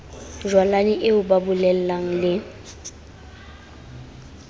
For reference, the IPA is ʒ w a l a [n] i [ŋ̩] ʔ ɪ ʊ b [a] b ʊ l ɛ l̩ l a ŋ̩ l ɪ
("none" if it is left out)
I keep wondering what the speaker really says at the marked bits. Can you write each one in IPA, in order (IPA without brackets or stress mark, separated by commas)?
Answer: n, none, a